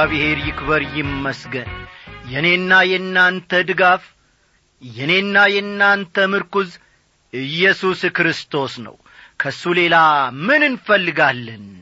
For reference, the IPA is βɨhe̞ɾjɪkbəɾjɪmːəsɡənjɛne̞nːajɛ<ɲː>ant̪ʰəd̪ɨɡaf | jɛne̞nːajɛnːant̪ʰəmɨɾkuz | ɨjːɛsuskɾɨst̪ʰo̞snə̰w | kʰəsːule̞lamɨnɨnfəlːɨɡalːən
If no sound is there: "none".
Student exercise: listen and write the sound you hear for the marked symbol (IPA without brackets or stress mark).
nː